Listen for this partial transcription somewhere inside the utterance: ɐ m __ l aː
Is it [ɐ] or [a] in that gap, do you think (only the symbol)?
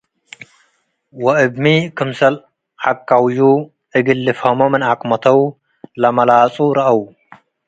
ɐ